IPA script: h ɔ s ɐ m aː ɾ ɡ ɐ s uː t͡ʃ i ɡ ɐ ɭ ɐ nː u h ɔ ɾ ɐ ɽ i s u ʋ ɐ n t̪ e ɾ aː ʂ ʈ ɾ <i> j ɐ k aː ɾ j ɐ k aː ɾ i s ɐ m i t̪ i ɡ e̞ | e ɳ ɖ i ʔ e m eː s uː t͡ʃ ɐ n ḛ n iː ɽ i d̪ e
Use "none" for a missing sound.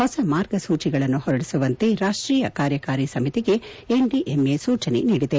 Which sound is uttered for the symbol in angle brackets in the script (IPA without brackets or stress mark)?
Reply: iː